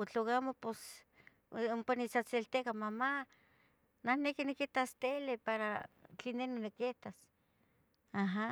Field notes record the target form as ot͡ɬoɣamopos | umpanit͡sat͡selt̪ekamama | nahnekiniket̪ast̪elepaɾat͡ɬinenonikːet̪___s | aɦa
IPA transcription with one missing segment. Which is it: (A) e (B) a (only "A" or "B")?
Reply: B